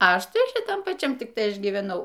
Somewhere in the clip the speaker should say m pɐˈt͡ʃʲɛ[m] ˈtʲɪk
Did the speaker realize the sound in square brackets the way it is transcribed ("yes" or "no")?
yes